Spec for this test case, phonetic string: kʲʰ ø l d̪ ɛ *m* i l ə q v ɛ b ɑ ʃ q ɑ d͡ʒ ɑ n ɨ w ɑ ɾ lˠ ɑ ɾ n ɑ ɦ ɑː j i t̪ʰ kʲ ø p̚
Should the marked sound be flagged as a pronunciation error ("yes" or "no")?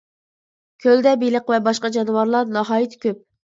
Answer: yes